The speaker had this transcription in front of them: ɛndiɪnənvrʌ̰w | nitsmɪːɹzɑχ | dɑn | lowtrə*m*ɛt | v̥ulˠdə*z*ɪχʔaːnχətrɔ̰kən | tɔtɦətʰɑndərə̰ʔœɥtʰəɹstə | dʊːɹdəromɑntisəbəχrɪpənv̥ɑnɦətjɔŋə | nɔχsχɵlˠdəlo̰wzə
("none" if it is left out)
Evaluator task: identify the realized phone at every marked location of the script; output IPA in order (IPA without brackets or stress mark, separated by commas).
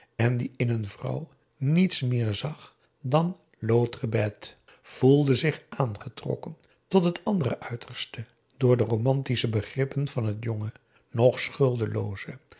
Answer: b, z